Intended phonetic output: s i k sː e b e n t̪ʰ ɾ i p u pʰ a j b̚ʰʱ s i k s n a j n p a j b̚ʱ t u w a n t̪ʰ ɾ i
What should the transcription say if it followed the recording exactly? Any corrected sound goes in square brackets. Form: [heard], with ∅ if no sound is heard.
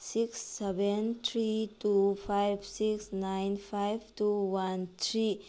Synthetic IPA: s i k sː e b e n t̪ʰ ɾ i [t] u pʰ a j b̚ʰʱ s i k s n a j n [pʰ] a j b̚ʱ t u w a n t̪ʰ ɾ i